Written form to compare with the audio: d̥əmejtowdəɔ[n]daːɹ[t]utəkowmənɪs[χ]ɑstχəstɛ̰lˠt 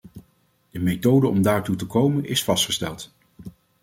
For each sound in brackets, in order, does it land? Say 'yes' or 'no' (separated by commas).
no, yes, no